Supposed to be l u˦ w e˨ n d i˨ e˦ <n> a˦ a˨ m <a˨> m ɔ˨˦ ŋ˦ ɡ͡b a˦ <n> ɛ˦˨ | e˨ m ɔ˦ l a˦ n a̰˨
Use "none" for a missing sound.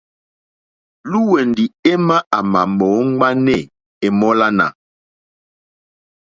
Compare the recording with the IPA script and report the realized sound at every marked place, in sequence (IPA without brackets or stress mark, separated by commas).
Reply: m, a˨, n